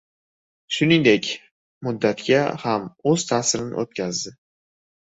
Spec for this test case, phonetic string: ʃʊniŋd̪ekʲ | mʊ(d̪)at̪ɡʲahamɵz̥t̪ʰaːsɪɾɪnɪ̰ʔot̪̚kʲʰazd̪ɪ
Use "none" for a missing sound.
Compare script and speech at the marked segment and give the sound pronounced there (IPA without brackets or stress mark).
d̪ː